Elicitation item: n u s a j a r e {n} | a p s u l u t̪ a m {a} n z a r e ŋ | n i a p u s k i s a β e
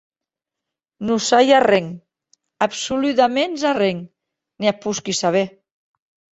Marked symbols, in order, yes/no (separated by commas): no, no